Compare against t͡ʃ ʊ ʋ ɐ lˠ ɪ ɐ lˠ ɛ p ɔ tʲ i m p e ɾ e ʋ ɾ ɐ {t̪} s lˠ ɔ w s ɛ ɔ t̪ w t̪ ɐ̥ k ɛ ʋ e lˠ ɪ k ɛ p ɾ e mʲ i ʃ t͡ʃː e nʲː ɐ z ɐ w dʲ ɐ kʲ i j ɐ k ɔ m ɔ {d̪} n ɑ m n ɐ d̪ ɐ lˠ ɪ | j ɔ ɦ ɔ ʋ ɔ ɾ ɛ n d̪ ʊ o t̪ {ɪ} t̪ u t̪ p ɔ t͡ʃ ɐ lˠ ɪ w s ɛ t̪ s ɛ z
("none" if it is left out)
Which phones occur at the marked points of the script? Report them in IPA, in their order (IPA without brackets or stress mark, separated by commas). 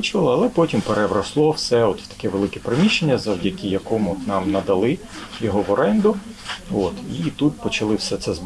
none, t̪, i